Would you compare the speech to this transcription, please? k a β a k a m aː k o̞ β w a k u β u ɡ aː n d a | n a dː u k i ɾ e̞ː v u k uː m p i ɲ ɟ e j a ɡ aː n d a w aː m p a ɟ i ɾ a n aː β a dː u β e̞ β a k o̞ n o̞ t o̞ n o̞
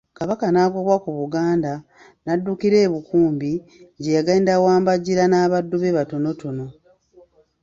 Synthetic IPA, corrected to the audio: k a β a k a n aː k o̞ β w a k u β u ɡ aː n d a | n a dː u k i ɾ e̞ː β u k uː m b i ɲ ɟ e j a ɡ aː n d a w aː m b a ɟ i ɾ a n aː β a dː u β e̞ β a t o̞ n o̞ t o̞ n o̞